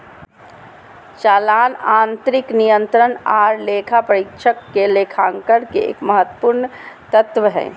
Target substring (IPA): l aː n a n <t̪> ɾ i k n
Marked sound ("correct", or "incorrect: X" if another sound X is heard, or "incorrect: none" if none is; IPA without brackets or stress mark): correct